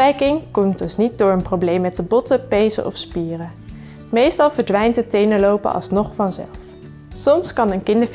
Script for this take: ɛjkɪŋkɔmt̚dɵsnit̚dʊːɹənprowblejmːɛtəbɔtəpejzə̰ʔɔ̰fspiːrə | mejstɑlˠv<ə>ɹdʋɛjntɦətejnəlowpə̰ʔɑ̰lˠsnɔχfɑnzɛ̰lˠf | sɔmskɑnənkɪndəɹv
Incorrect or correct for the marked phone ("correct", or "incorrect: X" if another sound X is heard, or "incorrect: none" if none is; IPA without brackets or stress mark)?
correct